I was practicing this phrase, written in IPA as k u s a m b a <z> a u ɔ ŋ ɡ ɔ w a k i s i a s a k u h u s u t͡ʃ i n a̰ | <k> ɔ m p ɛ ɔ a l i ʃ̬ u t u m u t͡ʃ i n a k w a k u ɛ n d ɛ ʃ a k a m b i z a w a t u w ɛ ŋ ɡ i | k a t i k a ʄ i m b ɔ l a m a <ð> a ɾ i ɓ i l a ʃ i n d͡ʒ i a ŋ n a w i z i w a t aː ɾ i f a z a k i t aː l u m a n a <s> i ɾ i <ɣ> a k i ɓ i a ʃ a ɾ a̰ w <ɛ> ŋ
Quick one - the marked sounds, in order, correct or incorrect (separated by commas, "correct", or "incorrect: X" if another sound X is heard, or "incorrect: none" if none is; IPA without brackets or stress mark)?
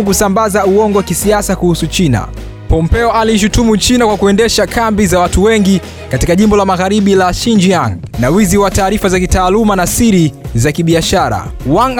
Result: correct, incorrect: p, incorrect: ɣ, correct, incorrect: z, incorrect: a